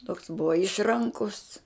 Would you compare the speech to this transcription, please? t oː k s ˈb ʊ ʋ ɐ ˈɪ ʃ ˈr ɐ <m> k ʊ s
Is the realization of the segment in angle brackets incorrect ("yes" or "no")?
yes